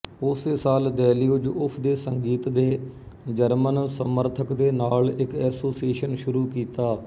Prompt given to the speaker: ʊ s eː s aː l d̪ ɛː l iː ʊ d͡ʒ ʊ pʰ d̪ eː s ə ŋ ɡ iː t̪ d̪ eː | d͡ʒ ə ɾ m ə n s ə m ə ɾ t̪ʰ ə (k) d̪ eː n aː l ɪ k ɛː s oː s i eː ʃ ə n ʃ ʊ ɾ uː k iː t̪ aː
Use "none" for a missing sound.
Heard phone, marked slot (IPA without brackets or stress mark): k